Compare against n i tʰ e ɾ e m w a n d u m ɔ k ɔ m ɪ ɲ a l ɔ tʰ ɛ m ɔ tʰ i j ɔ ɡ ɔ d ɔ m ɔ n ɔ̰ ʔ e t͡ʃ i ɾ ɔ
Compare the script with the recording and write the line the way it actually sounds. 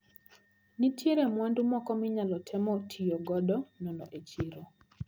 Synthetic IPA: n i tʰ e ɾ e m w a n d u m ɔ k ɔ m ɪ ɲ a l ɔ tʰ ɛ m ɔ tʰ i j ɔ ɡ ɔ d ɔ n ɔ n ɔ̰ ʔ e t͡ʃ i ɾ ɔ